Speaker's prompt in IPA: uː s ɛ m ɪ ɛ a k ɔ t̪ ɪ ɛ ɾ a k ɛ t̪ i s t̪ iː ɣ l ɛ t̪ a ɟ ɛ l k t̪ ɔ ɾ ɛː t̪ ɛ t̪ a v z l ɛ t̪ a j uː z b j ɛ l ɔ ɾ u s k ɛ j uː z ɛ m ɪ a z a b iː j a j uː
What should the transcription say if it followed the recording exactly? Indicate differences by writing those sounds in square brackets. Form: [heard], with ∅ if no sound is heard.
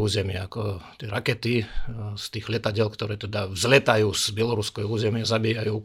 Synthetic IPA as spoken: uː [z] ɛ m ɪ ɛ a k ɔ t̪ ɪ ɛ ɾ a k ɛ t̪ i s t̪ iː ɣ l ɛ t̪ a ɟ ɛ l k t̪ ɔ ɾ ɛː t̪ ɛ [d̪] a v z l ɛ t̪ a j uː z b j ɛ l ɔ ɾ u s k ɛ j uː z ɛ m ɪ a z a b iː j a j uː